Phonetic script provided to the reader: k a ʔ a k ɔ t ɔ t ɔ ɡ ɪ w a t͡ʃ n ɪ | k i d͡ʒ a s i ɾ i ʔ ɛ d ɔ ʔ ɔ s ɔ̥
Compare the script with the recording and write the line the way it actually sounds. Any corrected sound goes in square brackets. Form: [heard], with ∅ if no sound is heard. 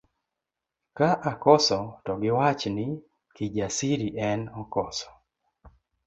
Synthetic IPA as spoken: k a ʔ a k ɔ [s] ɔ t ɔ ɡ ɪ w a t͡ʃ n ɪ | k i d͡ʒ a s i ɾ i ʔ ɛ [n] ɔ [k] ɔ s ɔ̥